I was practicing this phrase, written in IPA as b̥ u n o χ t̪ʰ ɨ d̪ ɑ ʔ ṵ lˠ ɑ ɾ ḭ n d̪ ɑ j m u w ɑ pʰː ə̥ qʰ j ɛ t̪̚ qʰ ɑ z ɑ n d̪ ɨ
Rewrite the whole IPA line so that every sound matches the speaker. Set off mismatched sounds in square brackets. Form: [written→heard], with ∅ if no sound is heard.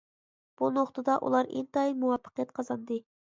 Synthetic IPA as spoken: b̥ u n o χ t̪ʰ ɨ d̪ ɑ ʔ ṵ lˠ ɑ ɾ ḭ n [d̪→t̪] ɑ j m u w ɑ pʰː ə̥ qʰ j ɛ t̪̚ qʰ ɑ z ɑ n d̪ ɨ